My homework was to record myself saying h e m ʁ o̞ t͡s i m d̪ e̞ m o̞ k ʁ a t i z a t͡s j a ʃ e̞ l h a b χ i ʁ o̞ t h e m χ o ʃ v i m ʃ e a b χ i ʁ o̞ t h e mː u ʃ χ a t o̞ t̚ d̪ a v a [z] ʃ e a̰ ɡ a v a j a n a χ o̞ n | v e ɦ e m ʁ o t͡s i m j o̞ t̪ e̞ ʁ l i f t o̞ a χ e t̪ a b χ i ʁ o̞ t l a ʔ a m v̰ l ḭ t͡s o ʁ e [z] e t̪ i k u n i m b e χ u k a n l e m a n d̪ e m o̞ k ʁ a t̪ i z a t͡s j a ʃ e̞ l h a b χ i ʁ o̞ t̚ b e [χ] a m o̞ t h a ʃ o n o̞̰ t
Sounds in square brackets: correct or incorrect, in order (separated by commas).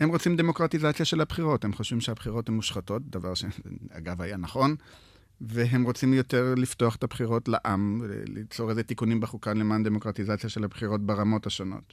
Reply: incorrect, correct, incorrect